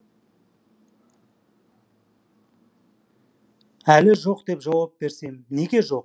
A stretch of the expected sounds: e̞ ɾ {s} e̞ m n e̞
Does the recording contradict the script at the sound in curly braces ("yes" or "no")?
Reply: no